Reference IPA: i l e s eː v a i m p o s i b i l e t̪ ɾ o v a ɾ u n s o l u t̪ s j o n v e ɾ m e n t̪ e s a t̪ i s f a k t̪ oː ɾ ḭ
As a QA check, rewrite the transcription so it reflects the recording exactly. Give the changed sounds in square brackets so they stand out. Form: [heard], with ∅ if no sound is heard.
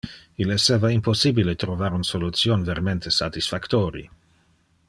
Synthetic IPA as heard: i l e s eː v a i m p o s i b i l e t̪ ɾ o v a ɾ u n s o l u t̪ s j o n v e ɾ m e n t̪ e s a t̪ i s f a k t̪ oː ɾ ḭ